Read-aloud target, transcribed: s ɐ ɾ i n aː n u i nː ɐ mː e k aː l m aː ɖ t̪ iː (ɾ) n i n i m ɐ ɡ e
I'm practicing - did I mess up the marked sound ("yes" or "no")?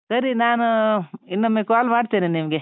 yes